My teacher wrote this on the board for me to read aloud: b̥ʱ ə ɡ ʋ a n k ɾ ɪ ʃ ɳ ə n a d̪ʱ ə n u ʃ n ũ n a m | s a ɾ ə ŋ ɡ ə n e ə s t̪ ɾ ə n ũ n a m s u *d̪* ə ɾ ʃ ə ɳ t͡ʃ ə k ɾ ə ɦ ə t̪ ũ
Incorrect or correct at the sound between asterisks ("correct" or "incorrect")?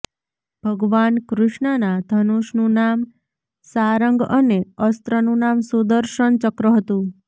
correct